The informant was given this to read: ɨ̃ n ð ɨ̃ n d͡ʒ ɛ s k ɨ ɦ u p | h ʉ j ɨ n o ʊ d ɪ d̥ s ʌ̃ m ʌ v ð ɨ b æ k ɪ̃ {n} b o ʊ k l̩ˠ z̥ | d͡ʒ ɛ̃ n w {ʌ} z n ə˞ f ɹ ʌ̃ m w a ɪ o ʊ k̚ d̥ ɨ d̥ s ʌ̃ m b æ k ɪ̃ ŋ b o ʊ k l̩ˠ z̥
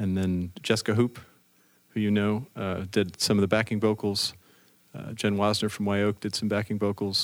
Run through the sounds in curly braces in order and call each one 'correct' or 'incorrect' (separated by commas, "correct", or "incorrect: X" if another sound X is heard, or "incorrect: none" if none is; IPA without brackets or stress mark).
incorrect: ŋ, incorrect: ɑ